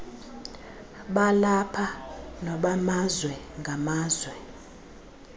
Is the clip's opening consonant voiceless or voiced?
voiced